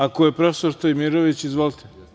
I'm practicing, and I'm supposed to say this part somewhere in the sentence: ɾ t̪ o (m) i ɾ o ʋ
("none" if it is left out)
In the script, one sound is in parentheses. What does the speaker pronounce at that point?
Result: m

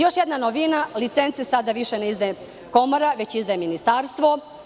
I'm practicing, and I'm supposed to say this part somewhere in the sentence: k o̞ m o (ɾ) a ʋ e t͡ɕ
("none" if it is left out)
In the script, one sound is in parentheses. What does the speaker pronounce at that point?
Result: ɾ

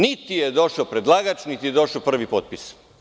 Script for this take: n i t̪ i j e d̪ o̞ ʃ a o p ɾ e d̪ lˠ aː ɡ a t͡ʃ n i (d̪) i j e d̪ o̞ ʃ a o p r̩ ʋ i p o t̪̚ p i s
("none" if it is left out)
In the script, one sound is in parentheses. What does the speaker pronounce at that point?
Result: t̪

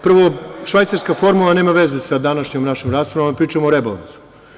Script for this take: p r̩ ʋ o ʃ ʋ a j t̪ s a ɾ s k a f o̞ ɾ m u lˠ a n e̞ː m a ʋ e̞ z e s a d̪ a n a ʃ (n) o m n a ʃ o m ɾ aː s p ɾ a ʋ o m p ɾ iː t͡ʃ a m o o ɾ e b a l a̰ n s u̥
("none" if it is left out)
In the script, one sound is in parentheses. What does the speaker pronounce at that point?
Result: ɲ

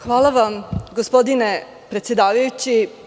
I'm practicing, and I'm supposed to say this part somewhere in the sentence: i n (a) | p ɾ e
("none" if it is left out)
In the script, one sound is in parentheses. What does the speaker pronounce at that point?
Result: e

